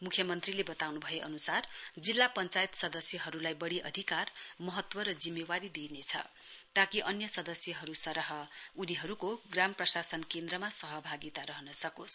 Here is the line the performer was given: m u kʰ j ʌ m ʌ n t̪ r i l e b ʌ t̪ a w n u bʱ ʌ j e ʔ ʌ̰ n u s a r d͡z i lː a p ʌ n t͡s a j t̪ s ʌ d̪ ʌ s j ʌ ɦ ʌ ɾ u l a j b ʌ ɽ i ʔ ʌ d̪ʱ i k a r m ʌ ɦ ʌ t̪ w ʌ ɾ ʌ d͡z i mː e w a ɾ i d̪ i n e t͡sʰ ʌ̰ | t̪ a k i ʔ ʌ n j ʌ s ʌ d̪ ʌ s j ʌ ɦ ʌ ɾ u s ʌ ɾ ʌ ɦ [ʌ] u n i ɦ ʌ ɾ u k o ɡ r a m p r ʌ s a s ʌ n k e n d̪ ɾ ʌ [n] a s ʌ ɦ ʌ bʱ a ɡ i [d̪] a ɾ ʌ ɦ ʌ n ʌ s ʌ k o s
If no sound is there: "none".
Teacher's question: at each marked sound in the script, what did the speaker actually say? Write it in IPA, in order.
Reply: ʌ, m, t̪

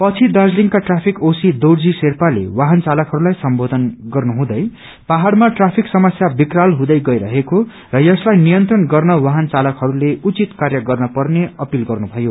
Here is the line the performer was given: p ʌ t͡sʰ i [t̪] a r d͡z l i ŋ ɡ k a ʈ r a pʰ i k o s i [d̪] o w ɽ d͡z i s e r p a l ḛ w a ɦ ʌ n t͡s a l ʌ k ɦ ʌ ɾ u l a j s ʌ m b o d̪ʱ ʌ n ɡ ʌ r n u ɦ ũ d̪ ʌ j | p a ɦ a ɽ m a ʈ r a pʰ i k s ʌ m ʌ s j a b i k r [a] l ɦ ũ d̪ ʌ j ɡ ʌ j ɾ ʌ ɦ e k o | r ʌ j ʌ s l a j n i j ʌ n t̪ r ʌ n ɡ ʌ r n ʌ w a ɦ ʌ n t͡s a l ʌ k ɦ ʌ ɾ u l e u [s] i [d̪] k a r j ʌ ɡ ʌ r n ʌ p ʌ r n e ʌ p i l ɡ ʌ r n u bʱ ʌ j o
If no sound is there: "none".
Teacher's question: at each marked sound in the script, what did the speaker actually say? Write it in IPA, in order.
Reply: d̪, d̪, a, t͡s, t̪

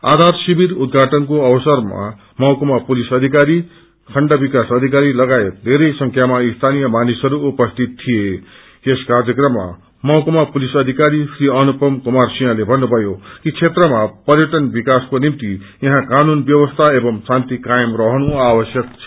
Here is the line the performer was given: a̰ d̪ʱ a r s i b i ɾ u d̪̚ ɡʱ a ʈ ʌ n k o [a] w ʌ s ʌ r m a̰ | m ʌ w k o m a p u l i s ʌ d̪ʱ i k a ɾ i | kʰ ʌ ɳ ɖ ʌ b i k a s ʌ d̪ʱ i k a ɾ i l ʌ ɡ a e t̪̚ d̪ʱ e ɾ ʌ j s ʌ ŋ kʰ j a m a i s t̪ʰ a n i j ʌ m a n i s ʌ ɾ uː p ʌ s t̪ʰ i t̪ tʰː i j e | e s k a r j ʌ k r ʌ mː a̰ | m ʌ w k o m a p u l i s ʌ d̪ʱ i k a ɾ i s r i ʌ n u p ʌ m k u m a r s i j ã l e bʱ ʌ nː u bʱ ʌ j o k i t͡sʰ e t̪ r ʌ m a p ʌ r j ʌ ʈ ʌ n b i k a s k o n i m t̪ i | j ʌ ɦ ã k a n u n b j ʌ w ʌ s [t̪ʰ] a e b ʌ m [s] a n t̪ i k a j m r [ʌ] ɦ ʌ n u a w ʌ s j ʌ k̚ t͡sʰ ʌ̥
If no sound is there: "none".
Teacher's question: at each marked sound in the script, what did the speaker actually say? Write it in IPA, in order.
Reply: ʌ, t̪ʰ, s, ʌ

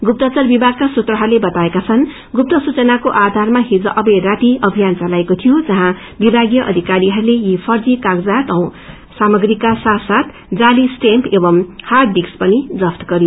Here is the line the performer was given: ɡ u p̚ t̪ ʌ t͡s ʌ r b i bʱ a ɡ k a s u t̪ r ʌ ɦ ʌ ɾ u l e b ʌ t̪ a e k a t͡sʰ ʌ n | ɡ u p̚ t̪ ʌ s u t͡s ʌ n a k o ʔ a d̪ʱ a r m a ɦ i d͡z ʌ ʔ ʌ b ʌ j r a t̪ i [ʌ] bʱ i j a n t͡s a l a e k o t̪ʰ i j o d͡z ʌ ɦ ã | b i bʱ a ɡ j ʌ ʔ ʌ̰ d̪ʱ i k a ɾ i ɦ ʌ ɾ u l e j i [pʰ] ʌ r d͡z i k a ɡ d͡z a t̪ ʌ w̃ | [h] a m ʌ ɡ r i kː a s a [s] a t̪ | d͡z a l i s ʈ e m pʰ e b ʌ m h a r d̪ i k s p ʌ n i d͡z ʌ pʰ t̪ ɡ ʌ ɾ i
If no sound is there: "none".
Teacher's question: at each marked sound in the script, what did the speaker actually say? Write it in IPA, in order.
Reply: ʌ, pʰ, s, s

